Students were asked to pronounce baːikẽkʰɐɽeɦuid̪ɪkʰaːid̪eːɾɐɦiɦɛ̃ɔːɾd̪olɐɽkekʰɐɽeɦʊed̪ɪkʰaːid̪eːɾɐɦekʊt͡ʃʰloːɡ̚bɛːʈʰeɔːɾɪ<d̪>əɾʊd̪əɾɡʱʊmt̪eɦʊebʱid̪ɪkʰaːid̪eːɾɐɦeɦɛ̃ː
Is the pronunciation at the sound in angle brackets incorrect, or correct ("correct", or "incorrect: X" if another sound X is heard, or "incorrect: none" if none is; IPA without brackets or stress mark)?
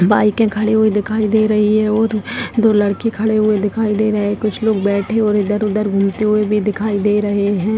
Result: correct